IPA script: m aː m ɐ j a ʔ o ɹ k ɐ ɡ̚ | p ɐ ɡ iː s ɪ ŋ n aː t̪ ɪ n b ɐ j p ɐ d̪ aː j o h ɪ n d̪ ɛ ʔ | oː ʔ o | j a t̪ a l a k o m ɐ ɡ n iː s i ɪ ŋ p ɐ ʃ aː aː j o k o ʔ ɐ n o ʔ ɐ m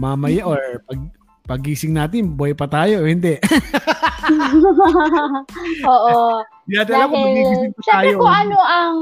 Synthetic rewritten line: m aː m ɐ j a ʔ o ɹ p ɐ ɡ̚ | p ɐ ɡ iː s ɪ ŋ n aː t̪ ɪ n b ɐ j p ɐ t̪ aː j o h ɪ n d̪ ɛ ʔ | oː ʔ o | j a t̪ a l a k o m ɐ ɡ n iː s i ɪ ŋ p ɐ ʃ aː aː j o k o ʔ ɐ n o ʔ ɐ ŋ